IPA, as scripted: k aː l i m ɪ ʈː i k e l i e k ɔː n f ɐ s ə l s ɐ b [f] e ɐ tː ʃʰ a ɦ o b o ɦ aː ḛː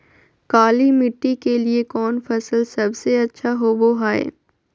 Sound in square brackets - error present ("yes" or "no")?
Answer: yes